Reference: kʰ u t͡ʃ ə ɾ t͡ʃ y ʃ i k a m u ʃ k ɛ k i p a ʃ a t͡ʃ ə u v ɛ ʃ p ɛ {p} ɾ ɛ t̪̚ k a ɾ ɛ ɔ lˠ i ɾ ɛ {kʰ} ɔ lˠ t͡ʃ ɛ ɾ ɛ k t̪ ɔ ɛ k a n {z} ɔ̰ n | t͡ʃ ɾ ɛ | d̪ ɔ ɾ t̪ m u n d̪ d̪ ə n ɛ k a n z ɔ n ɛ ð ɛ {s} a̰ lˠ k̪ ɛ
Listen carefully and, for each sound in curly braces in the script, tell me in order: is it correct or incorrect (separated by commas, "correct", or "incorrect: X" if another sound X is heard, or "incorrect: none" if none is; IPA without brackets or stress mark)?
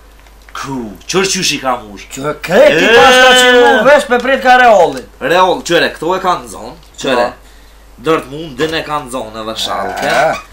correct, incorrect: none, correct, incorrect: ʃ